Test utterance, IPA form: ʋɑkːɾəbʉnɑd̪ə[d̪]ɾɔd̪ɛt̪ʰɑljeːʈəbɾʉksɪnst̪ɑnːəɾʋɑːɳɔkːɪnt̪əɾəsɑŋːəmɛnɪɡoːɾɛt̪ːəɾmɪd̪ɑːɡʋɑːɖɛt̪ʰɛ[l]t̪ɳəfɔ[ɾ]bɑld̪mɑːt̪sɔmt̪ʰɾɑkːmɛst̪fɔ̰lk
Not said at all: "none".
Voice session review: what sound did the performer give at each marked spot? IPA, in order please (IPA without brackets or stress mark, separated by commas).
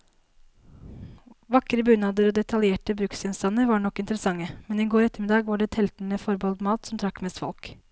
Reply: none, l, ɾ